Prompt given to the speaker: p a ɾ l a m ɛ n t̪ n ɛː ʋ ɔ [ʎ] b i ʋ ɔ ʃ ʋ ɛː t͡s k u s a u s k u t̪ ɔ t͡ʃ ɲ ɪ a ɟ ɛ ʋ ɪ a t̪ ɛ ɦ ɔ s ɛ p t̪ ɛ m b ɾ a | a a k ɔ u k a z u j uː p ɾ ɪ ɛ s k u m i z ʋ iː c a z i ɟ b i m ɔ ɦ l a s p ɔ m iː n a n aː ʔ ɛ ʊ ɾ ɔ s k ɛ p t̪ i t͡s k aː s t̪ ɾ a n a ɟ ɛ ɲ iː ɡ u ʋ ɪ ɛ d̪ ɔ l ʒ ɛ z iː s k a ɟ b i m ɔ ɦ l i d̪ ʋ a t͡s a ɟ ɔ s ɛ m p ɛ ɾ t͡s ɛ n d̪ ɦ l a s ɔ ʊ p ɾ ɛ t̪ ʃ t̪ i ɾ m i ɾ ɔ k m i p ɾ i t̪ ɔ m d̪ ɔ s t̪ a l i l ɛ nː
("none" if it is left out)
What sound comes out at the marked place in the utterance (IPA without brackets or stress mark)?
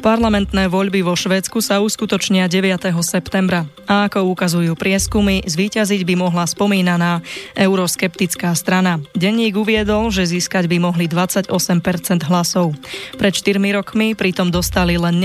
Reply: ʎ